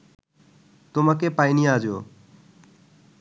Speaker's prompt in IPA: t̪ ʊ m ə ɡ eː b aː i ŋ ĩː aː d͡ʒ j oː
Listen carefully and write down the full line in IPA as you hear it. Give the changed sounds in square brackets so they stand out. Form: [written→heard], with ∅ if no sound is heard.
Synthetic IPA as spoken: t̪ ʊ m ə [ɡ→k] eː [b→p] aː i [ŋ→n] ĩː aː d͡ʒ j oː